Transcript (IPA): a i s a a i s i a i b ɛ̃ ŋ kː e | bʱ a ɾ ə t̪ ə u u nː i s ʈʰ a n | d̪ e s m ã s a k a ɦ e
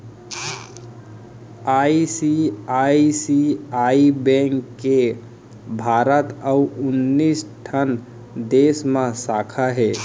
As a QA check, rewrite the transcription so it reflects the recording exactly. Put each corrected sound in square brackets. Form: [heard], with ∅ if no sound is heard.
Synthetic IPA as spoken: a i s [i] a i s i a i b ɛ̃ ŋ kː e | bʱ a ɾ ə t̪ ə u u nː i s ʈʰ [ə] n | d̪ e s m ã s a [kʰ] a ɦ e

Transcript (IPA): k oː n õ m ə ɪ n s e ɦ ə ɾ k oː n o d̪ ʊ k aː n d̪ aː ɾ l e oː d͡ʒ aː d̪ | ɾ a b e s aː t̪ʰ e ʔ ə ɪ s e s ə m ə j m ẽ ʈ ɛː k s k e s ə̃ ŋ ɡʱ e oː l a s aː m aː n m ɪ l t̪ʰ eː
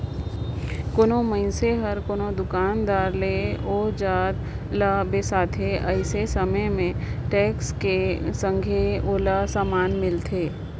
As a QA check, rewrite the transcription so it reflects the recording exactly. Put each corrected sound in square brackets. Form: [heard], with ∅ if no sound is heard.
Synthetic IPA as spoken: k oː n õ m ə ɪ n s e ɦ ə ɾ k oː n o d̪ ʊ k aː n d̪ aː ɾ l e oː d͡ʒ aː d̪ | [l] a b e s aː t̪ʰ e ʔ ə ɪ s e s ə m ə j m ẽ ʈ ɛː k s k e s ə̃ ŋ ɡʱ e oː l a s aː m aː n m ɪ l t̪ʰ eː

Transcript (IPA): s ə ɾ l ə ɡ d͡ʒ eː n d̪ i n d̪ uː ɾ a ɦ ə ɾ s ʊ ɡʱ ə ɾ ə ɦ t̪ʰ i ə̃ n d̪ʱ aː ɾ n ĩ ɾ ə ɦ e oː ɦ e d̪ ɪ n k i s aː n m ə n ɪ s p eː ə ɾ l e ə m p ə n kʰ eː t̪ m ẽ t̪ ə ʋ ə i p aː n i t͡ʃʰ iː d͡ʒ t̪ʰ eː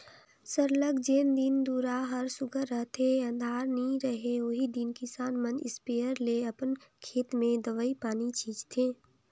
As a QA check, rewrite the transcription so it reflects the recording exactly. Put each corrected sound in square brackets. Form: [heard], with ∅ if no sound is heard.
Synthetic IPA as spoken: s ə ɾ l ə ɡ d͡ʒ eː n d̪ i n d̪ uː ɾ a ɦ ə ɾ s ʊ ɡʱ ə ɾ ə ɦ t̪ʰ [e] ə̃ n d̪ʱ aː ɾ n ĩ ɾ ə ɦ e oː ɦ [i] d̪ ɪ n k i s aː n m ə n ɪ s p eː ə ɾ l e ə [∅] p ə n kʰ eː t̪ m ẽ [d̪] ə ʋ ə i p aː n i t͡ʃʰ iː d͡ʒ t̪ʰ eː

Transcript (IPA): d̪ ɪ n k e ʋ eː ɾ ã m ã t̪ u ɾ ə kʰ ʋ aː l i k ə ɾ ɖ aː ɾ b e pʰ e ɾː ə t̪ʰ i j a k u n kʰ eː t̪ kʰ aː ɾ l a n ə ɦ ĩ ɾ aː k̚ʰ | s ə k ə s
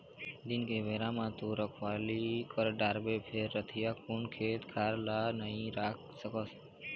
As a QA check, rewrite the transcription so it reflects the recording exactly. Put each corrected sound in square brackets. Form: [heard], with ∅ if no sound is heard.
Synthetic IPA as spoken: d̪ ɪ n k e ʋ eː ɾ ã m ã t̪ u ɾ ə kʰ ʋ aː l i k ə ɾ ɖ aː ɾ b e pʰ e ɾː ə t̪ʰ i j a k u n kʰ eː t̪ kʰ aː ɾ l a n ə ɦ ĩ ɾ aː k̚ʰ | s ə k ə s

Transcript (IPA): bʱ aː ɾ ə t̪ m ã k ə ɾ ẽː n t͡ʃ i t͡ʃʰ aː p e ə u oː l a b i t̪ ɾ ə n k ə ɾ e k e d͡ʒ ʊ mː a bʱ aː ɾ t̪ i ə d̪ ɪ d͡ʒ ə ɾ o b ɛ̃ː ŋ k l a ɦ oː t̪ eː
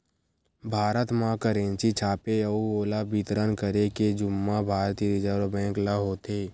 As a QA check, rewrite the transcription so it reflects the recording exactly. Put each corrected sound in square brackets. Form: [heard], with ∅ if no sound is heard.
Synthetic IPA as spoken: bʱ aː ɾ ə t̪ m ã k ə ɾ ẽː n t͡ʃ i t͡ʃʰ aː p e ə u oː l a b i t̪ ɾ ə n k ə ɾ e k e d͡ʒ ʊ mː a bʱ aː ɾ t̪ i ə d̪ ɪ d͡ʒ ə ɾ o b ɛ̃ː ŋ k l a ɦ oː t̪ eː

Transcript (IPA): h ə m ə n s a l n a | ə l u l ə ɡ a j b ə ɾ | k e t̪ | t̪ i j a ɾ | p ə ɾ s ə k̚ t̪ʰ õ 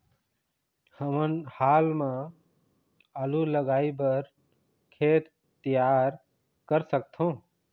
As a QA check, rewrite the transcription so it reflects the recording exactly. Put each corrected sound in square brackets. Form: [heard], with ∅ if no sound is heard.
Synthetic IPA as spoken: h ə m ə n [h] a l [m] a | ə l u l ə ɡ a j b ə ɾ | [kʰ] e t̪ | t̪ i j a ɾ | [k] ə ɾ s ə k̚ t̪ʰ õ

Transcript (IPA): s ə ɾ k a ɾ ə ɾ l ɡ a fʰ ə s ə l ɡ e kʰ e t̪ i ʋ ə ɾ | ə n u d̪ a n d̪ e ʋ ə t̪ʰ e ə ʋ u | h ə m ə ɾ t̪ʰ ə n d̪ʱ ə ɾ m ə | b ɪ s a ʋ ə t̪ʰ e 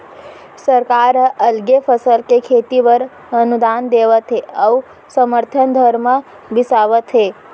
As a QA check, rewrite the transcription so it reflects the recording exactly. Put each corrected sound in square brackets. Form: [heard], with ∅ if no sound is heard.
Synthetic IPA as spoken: s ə ɾ k a ɾ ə [∅] l ɡ [e] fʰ ə s ə l [k] e kʰ e t̪ i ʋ ə ɾ | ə n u d̪ a n d̪ e ʋ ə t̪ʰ e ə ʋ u | [s] ə m ə ɾ t̪ʰ ə n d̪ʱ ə ɾ m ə | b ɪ s a ʋ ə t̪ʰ e

